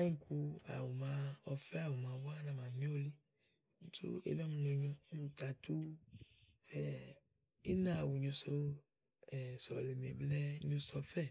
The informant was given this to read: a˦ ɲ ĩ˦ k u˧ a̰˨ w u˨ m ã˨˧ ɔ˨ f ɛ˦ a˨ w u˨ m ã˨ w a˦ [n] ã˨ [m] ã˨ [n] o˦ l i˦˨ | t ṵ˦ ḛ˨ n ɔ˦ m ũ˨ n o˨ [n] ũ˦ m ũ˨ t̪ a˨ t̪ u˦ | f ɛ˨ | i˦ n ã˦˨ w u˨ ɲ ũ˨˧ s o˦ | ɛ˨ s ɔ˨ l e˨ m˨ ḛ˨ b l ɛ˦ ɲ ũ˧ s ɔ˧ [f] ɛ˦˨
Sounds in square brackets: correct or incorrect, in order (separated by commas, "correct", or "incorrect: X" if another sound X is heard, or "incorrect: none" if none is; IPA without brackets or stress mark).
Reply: correct, correct, incorrect: ɲ, incorrect: ɲ, correct